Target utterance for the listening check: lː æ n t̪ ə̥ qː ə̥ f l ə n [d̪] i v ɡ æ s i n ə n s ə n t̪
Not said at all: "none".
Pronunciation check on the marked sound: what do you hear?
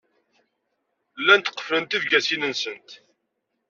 t̪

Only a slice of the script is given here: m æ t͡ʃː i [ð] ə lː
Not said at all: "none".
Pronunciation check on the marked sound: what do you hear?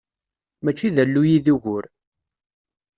ð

